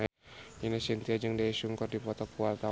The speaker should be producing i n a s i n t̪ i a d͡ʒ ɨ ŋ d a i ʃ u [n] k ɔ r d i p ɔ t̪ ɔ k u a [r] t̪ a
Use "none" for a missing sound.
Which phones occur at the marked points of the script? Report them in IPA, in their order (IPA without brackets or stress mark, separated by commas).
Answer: ŋ, l